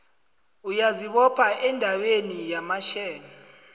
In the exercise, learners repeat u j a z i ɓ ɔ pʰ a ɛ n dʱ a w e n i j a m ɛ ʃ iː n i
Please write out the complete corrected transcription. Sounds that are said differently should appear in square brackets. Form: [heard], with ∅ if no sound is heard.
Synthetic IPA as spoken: u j a z i ɓ ɔ pʰ a ɛ n dʱ a w e n i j a m [a] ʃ [ɛː] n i

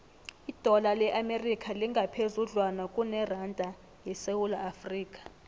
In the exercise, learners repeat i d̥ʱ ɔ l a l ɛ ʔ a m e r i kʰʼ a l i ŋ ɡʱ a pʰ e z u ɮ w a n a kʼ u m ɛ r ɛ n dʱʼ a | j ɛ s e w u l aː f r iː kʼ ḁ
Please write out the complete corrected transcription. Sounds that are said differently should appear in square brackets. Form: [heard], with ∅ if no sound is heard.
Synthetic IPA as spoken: i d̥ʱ ɔ l a l ɛ ʔ a m e r i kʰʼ a l i ŋ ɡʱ a pʰ e z u ɮ w a n a kʼ u [n] ɛ r [a] n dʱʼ a | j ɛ s e w u l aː f r iː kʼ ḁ

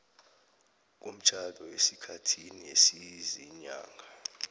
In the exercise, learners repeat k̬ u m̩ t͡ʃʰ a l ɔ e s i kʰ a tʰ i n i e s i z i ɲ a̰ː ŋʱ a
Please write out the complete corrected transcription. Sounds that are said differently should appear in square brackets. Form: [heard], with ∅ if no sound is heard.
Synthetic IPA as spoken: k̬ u m̩ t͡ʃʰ a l ɔ e s i kʰ a tʰ i n i e s i z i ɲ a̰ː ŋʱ a

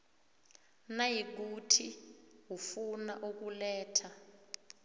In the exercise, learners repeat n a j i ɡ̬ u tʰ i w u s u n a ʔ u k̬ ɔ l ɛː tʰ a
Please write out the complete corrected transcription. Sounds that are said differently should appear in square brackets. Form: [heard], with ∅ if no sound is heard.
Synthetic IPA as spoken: n a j i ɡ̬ u tʰ i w u [f] u n a ʔ u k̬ [u] l ɛː tʰ a

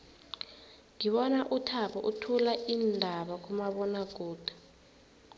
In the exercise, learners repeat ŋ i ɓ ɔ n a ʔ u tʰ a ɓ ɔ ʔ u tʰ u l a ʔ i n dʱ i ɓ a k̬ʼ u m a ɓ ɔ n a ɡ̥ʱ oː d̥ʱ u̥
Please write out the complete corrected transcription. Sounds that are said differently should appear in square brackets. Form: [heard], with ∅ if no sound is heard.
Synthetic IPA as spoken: ŋ i ɓ ɔ n a ʔ u tʰ a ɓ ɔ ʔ u tʰ u l a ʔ i n dʱ [a] ɓ a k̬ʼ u m a ɓ ɔ n a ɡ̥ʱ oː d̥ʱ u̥

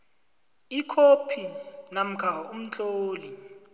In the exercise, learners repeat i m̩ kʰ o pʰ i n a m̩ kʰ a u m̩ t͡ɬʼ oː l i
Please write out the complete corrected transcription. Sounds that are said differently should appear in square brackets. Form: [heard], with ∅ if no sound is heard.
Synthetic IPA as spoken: i [∅] kʰ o pʰ i n a m̩ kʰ a u m̩ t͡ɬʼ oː l i

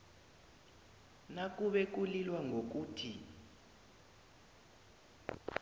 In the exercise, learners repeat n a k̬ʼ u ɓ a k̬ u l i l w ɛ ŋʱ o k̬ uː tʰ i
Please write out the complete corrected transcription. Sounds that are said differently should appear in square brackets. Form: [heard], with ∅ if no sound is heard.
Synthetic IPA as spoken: n a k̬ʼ u ɓ [ɛ] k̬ u l i l w [a] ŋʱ o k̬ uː tʰ i

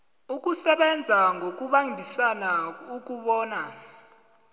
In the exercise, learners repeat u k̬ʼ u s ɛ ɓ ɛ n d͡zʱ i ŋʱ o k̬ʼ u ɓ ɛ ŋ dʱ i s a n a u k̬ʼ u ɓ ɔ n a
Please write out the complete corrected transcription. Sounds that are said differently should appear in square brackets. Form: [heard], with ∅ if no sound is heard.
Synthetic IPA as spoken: u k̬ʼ u s ɛ ɓ ɛ n d͡zʱ [a] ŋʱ o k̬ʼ u ɓ [a] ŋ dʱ i s a n a u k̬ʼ u ɓ [ɔː] n a

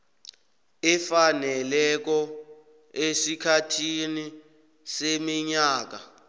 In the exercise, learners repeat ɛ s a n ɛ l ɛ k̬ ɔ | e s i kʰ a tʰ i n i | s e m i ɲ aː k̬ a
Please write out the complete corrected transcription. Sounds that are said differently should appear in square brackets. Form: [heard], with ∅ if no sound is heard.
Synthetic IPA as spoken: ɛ [f] a n ɛ l ɛ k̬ ɔ | e s i kʰ a tʰ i n i | s e m i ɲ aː k̬ a

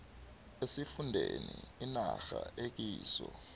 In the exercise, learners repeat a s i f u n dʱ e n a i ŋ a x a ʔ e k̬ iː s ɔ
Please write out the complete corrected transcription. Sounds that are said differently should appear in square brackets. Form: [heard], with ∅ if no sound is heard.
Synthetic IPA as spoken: [e] s i f u n dʱ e n [i] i [n] a x a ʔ e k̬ iː s ɔ

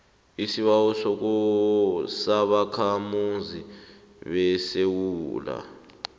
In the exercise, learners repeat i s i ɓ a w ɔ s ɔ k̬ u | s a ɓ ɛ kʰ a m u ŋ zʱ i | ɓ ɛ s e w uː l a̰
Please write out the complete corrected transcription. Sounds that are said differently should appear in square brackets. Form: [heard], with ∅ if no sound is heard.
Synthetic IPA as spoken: i s i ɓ a w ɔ s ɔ k̬ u | s a ɓ [a] kʰ a m u [n] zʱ i | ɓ ɛ s e w uː l a̰

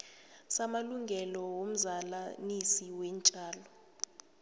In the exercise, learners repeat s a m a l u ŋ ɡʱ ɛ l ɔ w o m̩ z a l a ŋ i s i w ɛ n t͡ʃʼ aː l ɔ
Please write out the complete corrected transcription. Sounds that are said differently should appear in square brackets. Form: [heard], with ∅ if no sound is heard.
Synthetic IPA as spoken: s a m a l u ŋ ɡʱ ɛ l ɔ w o m̩ z a l a [n] i s i w ɛ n t͡ʃʼ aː l ɔ

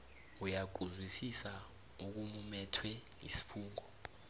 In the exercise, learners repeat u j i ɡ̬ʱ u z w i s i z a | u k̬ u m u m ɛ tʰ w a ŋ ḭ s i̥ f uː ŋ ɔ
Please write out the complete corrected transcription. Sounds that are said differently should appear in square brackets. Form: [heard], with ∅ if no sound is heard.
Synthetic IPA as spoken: u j [a] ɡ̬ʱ u z w i s i [s] a | u k̬ u m u m ɛ tʰ w [ɛ] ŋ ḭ s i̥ f uː ŋ ɔ

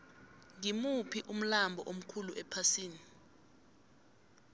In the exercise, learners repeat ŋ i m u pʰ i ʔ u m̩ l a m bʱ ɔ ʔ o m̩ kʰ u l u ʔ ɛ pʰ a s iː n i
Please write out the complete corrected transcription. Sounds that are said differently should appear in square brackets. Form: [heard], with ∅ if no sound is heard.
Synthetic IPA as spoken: ŋ i m u pʰ i ʔ u m̩ l a m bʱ ɔ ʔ o m̩ kʰ u l u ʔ ɛ pʰ a s iː n i

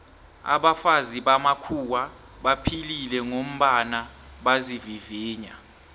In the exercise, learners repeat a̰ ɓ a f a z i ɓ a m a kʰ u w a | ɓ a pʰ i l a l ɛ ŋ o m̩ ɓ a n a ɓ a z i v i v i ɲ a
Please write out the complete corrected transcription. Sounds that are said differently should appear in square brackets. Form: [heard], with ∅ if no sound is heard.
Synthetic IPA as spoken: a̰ ɓ a f a z i ɓ a m a kʰ u w a | ɓ a pʰ i l [i] l ɛ ŋ o m̩ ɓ a n a ɓ a z i v i v [iː] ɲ a

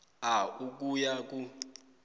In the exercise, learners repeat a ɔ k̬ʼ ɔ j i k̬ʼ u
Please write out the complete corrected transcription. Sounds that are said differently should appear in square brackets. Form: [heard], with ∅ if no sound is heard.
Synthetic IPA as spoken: a [u] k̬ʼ [u] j [a] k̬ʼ u

